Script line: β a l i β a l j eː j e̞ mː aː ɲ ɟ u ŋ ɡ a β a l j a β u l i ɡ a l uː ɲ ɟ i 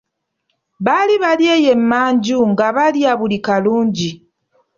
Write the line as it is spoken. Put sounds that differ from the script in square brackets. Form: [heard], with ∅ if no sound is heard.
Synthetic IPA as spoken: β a l i β a l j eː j e̞ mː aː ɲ ɟ u ŋ ɡ a β a l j a β u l i [k] a l uː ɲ ɟ i